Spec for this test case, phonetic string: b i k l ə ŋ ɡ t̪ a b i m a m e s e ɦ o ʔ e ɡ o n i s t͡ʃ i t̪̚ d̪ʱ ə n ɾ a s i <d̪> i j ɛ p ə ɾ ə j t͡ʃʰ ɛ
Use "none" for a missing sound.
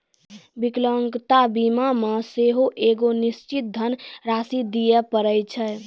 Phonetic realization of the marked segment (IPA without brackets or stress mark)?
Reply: d̪